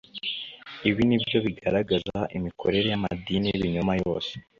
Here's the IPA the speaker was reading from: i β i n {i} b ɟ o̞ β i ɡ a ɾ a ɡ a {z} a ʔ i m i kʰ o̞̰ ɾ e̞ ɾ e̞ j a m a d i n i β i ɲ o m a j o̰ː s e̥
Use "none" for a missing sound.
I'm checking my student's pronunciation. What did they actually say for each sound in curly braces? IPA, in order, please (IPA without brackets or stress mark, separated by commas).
i, z